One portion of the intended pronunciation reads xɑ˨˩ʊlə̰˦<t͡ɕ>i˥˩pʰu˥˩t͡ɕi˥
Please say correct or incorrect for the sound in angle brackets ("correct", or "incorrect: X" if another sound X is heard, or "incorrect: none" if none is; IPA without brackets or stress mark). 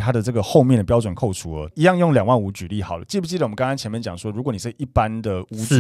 correct